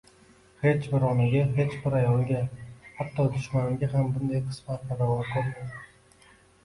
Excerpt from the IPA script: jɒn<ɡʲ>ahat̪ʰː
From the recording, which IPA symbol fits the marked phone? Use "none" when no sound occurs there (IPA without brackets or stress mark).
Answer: ɡʲ